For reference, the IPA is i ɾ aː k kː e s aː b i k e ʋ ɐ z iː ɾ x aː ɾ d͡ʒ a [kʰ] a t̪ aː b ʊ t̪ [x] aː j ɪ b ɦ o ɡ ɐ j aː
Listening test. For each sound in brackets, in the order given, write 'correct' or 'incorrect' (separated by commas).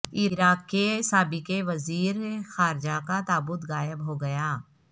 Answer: incorrect, incorrect